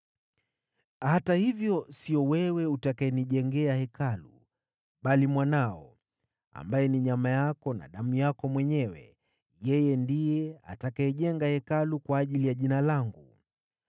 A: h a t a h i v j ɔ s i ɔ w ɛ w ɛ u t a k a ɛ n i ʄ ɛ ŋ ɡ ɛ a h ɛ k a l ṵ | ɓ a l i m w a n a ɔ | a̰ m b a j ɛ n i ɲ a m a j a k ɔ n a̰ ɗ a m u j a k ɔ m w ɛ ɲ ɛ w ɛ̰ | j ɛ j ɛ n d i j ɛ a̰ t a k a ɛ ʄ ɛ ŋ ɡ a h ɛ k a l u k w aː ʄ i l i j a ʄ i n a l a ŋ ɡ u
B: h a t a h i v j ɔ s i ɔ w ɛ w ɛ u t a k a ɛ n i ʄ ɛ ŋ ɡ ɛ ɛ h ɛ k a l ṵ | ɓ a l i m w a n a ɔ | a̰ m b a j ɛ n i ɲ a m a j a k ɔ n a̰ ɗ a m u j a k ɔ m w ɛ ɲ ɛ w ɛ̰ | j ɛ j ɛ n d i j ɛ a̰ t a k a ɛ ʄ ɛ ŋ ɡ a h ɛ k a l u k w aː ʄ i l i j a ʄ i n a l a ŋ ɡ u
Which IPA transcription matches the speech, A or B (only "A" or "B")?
A